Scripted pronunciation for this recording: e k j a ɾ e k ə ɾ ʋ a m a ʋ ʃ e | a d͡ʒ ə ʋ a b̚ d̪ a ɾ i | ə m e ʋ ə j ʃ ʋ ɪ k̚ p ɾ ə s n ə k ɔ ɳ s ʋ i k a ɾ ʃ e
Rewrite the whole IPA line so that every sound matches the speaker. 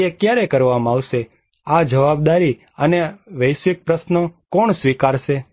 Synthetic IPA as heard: e k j a ɾ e k ə ɾ ʋ a m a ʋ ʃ e | a d͡ʒ ə ʋ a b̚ d̪ a ɾ i | ə n e ʋ ə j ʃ ʋ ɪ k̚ p ɾ ə s n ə k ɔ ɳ s ʋ i k a ɾ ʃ e

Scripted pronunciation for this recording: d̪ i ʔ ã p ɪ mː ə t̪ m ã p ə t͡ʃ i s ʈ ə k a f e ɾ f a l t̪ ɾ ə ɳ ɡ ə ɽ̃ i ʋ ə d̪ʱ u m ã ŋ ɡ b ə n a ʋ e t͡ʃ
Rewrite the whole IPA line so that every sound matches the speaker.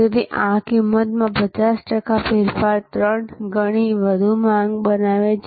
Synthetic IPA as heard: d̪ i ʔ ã k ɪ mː ə t̪ m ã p ə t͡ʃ a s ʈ ə k a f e ɾ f a ɾ t̪ ɾ ə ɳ ɡ ə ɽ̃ i ʋ ə d̪ʱ u m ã ŋ ɡ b ə n a ʋ e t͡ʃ

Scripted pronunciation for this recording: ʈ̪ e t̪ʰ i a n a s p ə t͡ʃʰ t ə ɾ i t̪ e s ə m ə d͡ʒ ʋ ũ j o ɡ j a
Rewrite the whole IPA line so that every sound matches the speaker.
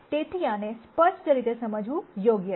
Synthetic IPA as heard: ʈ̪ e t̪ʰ i a n e s p ə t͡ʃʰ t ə ɾ i t̪ e s ə m ə d͡ʒ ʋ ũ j o ɡ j ə

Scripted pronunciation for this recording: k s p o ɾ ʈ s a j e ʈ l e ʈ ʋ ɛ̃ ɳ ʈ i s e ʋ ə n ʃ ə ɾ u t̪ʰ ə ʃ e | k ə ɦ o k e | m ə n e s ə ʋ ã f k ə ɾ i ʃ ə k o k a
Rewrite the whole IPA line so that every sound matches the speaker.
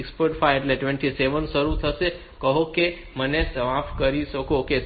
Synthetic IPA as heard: k s p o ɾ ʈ f a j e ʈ l e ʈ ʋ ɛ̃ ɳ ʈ i s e ʋ ə n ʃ ə ɾ u t̪ʰ ə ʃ e | k ə ɦ o k e | m ə n e s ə ʋ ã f k ə ɾ i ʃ ə k o k e

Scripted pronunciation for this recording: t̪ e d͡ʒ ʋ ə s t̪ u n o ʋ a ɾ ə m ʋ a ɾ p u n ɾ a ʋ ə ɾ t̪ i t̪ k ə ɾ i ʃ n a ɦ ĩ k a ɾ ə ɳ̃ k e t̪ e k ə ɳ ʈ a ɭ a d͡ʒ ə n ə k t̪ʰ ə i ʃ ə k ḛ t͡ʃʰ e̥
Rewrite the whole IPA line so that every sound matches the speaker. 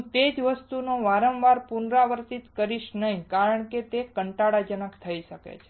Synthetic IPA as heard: t̪ e d͡ʒ ʋ ə s t̪ u n o ʋ a ɾ ə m ʋ a ɾ p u n ɾ a ʋ ə ɾ t̪ i t̪ k ə ɾ i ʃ n ə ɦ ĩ k a ɾ ə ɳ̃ k e t̪ e k ə ɳ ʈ a ɽ a d͡ʒ ə n ə k t̪ʰ ə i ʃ ə k ḛ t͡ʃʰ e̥

